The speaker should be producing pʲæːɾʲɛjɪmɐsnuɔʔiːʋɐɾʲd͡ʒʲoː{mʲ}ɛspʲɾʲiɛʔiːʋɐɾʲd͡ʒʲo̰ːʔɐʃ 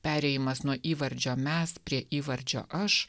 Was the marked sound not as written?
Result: no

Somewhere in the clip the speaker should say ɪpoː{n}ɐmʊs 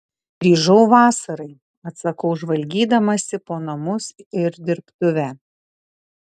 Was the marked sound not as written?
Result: no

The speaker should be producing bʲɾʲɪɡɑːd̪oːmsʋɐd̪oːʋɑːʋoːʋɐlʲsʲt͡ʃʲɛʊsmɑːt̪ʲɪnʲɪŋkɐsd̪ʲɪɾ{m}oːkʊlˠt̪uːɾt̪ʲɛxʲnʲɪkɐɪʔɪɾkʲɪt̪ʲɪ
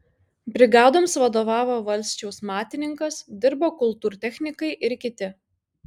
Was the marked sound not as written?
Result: yes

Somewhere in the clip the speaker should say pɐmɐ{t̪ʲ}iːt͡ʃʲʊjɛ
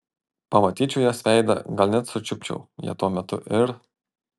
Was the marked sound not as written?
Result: no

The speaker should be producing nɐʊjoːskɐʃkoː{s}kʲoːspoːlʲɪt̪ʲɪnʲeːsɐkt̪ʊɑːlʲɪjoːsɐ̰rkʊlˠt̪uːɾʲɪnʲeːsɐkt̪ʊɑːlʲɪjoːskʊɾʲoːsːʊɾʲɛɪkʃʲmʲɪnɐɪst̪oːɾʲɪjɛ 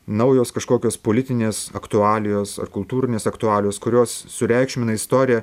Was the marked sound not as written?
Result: yes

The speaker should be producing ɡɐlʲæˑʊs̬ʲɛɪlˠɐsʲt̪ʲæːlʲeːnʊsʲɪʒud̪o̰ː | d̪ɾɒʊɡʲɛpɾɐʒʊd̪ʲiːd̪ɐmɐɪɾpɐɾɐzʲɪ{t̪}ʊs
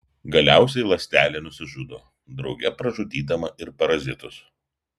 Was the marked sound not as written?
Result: no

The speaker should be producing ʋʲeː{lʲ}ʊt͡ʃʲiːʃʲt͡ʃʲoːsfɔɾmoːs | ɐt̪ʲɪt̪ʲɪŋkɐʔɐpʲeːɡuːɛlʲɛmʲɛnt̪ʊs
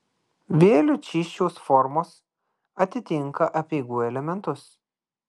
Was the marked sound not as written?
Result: no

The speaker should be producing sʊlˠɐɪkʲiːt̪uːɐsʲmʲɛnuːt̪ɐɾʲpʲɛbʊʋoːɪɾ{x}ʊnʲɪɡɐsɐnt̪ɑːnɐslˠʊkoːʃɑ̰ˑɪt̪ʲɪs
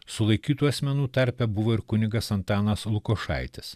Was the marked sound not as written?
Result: yes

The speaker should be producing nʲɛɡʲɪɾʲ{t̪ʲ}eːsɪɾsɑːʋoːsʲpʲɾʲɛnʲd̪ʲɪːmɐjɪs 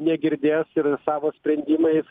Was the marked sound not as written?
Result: yes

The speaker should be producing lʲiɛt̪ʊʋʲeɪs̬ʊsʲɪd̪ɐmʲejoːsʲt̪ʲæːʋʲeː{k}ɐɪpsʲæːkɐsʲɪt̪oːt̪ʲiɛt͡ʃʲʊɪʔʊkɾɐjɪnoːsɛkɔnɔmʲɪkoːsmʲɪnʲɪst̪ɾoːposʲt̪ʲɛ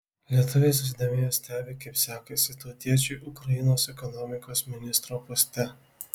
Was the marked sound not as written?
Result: no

